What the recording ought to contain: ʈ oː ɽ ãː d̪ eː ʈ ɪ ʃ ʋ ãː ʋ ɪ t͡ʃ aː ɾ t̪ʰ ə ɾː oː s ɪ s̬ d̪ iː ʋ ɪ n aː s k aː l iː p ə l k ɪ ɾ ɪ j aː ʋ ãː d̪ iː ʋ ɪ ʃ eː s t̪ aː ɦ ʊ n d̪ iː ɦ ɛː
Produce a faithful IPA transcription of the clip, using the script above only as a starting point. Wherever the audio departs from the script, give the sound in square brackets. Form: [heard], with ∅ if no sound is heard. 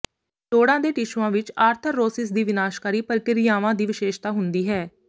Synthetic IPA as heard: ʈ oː ɽ ãː d̪ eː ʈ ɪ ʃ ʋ ãː ʋ ɪ t͡ʃ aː ɾ t̪ʰ ə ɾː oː s ɪ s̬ d̪ iː ʋ ɪ n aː [ʃ] k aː [ɾ] iː p ə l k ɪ ɾ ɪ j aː ʋ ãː d̪ iː ʋ ɪ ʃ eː [ʃ] t̪ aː ɦ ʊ n d̪ iː ɦ ɛː